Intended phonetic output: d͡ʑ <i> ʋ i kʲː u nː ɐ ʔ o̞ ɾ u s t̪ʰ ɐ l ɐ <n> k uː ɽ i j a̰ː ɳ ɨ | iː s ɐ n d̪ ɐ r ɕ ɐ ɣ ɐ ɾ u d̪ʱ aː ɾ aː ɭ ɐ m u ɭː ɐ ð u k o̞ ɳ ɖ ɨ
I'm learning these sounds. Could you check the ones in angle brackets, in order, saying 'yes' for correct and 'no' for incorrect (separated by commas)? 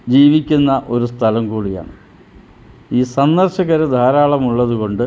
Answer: no, no